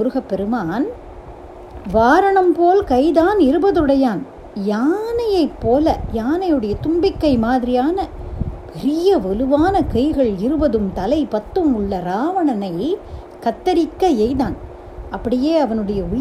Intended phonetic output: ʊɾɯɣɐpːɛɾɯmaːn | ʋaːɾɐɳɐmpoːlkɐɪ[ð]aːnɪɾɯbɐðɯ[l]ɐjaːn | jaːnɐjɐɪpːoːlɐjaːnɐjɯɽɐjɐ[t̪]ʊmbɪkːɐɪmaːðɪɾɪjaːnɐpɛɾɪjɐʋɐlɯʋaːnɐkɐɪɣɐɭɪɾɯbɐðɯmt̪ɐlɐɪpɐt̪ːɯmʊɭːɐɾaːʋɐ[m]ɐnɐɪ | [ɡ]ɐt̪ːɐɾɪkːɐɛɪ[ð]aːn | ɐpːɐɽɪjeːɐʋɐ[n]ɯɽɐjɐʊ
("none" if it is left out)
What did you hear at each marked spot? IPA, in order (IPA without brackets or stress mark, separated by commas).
ð, ɽ, t̪, ɳ, k, ð, n